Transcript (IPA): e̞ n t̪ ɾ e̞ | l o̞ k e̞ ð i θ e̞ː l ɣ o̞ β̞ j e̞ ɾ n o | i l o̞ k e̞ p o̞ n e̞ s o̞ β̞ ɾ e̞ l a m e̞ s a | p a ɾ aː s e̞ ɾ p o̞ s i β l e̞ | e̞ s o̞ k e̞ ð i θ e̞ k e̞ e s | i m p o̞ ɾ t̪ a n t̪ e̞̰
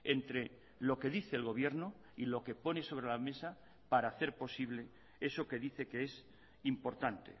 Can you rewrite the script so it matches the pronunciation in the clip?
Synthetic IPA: e̞ n t̪ ɾ e̞ | l o̞ k e̞ ð i θ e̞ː l ɣ o̞ β̞ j e̞ ɾ n o | i l o̞ k e̞ p o̞ n e̞ s o̞ β̞ ɾ e̞ l a m e̞ s a | p a ɾ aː θ e̞ ɾ p o̞ s i β l e̞ | e̞ s o̞ k e̞ ð i θ e̞ k e̞ e s | i m p o̞ ɾ t̪ a n t̪ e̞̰